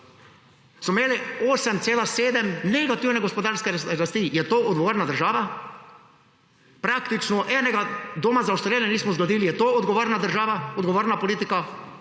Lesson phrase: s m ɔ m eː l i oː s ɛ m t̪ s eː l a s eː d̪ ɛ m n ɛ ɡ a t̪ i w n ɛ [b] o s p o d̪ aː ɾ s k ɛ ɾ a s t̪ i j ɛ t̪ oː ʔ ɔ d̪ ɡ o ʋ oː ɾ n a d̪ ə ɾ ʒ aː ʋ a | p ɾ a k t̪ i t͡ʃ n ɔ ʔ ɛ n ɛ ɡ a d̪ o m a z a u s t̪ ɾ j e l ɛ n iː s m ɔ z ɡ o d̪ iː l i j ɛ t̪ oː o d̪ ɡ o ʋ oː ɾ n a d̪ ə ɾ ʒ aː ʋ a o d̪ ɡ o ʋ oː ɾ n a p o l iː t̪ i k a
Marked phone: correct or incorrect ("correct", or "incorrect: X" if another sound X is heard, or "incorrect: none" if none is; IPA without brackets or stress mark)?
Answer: incorrect: ɡ